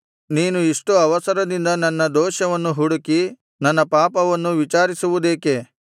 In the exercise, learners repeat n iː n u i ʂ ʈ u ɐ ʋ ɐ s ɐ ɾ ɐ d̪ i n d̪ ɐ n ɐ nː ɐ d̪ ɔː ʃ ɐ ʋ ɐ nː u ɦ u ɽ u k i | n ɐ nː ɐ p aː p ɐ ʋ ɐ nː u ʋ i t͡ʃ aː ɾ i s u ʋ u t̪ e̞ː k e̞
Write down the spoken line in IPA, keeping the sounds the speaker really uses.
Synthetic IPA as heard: n iː n u i ʂ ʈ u ɐ ʋ ɐ s ɐ ɾ ɐ d̪ i n d̪ ɐ n ɐ nː ɐ d̪ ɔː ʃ ɐ ʋ ɐ nː u ɦ u ɽ u k i | n ɐ nː ɐ p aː p ɐ ʋ ɐ nː u ʋ i t͡ʃ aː ɾ i s u ʋ u d̪ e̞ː k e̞